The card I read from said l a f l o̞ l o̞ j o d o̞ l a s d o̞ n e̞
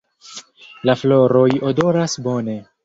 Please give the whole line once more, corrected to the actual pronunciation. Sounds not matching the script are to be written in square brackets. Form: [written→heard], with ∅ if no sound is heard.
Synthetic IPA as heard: l a f l o̞ [l→ɾ] o̞ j o d o̞ [l→ɾ] a s [d→b] o̞ n e̞